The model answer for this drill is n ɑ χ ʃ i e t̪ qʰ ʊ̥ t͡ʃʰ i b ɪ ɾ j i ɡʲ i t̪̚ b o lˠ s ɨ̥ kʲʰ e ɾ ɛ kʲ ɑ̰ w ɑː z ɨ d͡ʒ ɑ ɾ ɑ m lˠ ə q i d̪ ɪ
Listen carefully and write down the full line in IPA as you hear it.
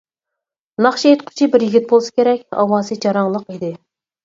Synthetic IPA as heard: n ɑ χ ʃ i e t̪ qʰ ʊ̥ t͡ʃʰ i b ɪ ɾ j i ɡʲ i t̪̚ b o lˠ s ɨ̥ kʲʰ e ɾ ɛ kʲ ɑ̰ w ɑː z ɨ d͡ʒ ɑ ɾ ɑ ŋ lˠ ə q i d̪ ɪ